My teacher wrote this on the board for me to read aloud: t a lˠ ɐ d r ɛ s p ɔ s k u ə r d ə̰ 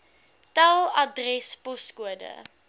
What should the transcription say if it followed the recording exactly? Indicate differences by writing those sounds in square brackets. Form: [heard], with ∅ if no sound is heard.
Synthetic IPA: t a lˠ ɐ d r ɛ s p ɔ s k u ə [∅] d ə̰